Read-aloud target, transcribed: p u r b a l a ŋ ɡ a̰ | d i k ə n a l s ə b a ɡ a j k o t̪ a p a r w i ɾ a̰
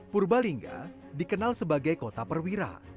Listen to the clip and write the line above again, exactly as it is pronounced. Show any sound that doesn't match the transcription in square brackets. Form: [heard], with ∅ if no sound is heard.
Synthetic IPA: p u r b a l [i] ŋ ɡ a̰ | d i k ə n a l s ə b a ɡ a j k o t̪ a p [ə] r w i ɾ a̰